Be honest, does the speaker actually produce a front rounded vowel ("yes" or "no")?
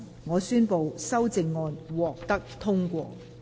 yes